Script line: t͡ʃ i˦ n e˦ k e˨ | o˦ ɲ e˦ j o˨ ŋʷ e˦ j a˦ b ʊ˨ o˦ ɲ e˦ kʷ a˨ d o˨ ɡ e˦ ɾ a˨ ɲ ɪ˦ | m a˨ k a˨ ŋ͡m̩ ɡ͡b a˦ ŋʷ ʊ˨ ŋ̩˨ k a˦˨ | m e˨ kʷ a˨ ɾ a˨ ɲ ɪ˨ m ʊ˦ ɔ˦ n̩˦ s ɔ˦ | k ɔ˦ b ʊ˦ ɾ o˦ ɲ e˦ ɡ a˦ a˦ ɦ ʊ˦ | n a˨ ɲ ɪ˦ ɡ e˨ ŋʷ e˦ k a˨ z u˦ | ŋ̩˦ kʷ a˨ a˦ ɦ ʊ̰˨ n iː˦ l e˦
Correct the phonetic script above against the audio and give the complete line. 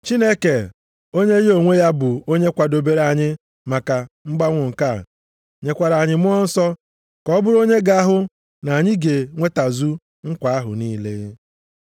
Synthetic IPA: t͡ʃ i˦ n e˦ k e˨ | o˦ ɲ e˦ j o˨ ŋʷ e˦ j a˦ b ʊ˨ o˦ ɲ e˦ kʷ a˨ d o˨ b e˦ ɾ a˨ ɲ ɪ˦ | m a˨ k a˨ ŋ͡m̩ ɡ͡b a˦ ŋʷ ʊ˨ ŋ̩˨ k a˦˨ | ɲ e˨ kʷ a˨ ɾ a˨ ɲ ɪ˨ m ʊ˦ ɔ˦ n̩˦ s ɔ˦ | k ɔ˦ b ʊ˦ ɾ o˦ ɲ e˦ ɡ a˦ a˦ ɦ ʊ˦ | n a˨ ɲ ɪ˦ ɡ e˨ ŋʷ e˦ t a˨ z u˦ | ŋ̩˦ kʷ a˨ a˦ ɦ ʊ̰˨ n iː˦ l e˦

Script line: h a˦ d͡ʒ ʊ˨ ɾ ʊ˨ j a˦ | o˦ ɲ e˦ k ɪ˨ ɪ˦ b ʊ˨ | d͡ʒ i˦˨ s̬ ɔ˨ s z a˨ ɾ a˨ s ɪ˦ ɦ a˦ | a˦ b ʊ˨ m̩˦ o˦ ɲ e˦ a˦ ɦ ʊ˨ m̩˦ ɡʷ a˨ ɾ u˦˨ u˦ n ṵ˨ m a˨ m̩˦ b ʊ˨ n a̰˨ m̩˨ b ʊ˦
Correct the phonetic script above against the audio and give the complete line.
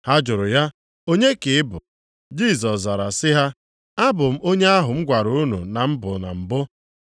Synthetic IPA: h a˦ d͡ʒ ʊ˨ ɾ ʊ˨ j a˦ | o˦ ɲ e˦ k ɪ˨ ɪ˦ b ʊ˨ | d͡ʒ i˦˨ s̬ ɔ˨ s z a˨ ɾ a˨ s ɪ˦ ɦ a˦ | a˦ b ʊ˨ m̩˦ o˦ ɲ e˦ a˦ ɦ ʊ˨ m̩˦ ɡʷ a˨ ɾ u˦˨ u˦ n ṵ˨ n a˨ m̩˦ b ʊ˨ n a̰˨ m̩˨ b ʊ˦

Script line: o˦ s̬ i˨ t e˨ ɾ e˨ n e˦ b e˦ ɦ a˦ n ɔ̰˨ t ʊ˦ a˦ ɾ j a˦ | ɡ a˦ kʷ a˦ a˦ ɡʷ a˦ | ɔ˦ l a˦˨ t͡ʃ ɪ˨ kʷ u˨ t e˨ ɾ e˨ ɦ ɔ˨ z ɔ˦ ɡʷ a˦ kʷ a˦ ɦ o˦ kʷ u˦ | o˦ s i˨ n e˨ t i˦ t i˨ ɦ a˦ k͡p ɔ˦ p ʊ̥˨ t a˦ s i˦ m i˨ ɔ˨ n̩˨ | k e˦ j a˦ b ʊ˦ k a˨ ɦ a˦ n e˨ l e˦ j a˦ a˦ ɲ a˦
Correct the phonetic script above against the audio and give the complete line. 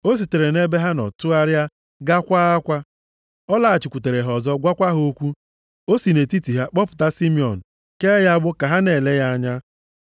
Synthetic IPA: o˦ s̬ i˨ t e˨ ɾ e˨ n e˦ b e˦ ɦ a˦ n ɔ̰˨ t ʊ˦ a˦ ɾ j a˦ | ɡ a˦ kʷ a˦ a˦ kʷ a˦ | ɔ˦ l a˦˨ t͡ʃ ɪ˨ kʷ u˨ t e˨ ɾ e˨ ɦ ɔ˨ z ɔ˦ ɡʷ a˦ kʷ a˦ ɦ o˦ kʷ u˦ | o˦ s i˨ n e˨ t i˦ t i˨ ɦ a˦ k͡p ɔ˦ p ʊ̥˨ t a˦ s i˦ m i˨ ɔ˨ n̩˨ | k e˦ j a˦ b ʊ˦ k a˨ ɦ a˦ n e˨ l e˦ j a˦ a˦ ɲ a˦

